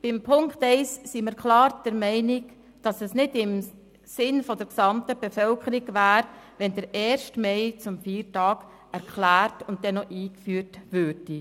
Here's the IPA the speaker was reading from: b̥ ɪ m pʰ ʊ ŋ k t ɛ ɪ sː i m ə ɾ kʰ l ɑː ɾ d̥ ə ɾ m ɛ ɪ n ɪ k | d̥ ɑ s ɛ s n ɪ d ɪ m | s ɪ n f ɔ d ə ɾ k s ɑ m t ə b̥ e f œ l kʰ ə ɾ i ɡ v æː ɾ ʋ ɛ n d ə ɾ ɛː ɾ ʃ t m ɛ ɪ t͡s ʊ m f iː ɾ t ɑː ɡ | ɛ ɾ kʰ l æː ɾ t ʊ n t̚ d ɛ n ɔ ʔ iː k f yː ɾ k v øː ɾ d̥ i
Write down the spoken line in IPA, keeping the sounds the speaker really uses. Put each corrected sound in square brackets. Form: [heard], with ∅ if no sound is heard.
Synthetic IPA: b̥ ɪ m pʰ ʊ ŋ k t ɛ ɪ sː i m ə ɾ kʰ l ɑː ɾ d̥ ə ɾ m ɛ ɪ n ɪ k | d̥ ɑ s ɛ s n ɪ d ɪ m | s ɪ n f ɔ d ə ɾ k s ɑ m t ə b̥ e f œ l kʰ ə ɾ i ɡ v æː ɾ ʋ ɛ n d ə ɾ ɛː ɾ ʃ t m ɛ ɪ t͡s ʊ m f iː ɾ t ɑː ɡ | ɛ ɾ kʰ l æː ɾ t ʊ n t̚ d ɛ n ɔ ʔ iː k f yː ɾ [t] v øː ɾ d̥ i